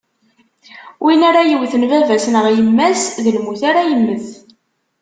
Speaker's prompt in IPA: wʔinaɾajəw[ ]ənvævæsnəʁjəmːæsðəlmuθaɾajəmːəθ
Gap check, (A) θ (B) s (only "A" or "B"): A